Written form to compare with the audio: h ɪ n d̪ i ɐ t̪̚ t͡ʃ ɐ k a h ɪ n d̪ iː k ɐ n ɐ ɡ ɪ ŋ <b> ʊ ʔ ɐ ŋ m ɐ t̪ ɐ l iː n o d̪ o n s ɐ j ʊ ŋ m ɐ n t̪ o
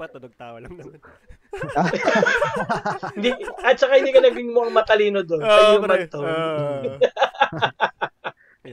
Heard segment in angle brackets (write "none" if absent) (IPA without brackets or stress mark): m